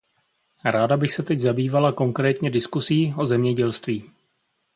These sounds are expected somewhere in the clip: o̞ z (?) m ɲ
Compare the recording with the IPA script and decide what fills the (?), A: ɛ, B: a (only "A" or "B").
A